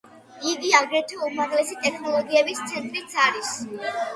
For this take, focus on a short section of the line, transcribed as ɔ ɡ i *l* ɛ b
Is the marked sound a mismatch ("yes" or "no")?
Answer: yes